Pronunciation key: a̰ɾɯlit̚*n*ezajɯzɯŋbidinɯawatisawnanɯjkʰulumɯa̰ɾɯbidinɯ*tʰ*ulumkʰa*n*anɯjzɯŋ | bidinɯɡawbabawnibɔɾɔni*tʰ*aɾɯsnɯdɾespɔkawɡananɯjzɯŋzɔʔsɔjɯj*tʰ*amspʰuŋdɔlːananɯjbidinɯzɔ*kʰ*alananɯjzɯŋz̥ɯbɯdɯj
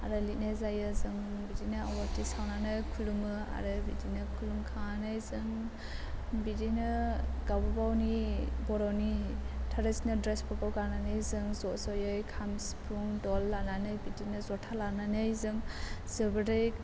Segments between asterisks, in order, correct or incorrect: correct, incorrect, incorrect, correct, incorrect, incorrect

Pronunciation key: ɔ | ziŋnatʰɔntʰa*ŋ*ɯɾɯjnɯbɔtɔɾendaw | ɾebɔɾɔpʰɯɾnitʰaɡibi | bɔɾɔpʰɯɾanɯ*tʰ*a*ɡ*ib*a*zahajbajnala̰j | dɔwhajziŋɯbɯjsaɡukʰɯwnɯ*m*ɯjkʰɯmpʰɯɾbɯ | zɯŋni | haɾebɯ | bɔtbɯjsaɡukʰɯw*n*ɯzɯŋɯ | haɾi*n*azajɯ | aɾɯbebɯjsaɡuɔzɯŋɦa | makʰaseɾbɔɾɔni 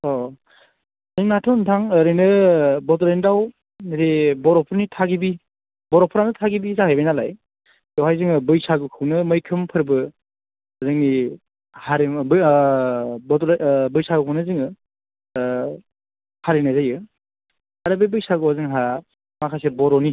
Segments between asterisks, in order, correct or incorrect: correct, correct, correct, incorrect, correct, correct, correct

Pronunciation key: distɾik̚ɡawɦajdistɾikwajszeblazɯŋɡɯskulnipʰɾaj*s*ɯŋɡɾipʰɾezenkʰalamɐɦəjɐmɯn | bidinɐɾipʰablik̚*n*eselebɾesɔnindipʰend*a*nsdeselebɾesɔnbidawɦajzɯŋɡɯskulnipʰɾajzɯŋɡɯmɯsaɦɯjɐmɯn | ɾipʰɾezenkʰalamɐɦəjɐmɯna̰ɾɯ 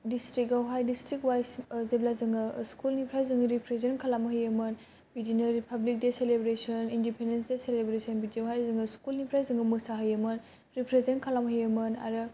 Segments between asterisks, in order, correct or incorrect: incorrect, incorrect, incorrect

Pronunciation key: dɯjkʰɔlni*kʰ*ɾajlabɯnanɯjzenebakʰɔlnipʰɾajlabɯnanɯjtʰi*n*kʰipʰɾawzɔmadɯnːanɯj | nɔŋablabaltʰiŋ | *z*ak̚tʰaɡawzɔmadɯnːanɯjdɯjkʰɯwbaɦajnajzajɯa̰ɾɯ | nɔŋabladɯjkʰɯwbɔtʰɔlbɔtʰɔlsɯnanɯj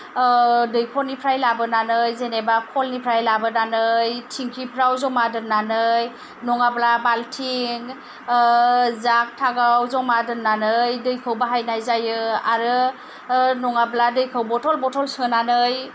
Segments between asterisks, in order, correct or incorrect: incorrect, incorrect, correct

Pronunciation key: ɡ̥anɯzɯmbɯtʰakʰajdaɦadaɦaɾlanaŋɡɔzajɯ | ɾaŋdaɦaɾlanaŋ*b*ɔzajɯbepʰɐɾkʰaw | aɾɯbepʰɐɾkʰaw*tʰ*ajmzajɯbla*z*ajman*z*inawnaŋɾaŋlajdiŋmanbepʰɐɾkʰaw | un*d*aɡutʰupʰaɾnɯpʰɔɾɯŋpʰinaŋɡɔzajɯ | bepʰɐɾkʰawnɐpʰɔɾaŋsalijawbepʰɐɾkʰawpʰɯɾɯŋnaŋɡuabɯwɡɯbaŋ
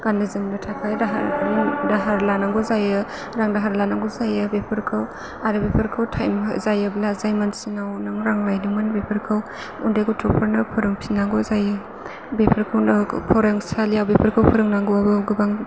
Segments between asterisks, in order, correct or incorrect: incorrect, correct, correct, incorrect, correct

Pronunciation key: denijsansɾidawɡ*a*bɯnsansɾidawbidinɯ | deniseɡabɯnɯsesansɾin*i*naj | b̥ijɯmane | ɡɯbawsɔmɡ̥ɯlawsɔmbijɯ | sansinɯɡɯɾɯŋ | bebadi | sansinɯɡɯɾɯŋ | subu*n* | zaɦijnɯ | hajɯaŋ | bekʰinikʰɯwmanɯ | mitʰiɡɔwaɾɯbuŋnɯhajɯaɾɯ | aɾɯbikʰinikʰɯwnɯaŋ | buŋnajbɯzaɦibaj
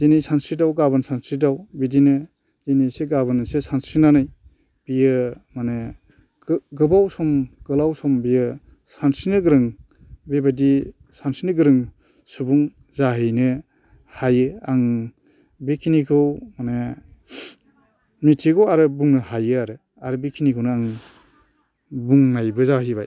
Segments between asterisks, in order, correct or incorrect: correct, incorrect, incorrect

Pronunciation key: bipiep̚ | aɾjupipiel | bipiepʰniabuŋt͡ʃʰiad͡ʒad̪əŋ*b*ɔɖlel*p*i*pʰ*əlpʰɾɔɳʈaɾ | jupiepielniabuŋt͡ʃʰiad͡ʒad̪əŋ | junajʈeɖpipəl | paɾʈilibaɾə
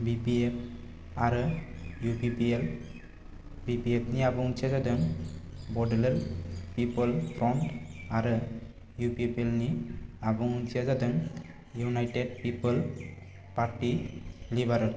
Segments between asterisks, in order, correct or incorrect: correct, correct, incorrect

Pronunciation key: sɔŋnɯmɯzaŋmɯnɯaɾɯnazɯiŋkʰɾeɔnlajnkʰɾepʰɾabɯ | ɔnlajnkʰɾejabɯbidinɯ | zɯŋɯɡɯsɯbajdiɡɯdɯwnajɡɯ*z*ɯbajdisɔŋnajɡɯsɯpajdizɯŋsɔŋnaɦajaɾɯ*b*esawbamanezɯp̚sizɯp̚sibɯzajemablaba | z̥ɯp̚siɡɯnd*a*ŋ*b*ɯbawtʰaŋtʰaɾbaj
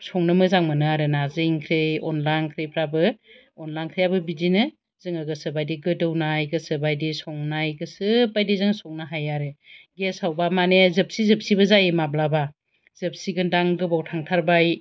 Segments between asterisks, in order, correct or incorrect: incorrect, incorrect, correct, incorrect

